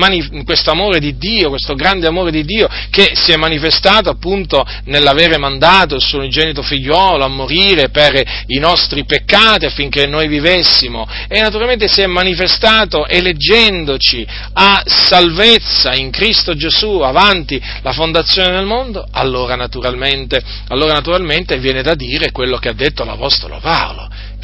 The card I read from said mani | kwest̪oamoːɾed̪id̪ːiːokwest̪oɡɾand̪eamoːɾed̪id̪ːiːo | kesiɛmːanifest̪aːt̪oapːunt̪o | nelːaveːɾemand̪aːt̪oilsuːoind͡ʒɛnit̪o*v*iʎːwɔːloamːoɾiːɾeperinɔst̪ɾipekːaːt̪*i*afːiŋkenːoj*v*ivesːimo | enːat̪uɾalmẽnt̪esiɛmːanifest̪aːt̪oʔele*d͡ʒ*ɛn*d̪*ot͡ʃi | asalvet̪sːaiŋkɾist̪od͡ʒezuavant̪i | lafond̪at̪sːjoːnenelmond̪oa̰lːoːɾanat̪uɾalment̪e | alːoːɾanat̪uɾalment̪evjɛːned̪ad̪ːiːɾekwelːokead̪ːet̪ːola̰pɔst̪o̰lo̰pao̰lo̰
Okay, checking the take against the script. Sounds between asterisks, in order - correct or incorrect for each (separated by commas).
incorrect, correct, correct, incorrect, correct